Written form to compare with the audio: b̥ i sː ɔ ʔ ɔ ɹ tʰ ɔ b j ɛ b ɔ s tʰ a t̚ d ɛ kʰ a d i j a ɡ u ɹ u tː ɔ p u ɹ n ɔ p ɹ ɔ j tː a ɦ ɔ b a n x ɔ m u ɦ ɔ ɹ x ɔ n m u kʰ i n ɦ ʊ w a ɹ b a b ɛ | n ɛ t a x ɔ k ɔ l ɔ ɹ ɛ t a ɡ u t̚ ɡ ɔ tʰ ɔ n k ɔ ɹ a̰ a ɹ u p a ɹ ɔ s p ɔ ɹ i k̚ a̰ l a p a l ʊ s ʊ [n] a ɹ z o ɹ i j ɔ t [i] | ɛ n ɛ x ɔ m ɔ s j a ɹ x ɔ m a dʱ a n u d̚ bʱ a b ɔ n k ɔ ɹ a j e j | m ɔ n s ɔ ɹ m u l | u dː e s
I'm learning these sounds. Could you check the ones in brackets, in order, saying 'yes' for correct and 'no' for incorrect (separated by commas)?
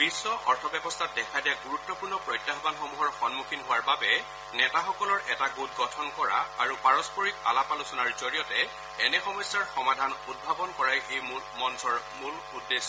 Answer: yes, no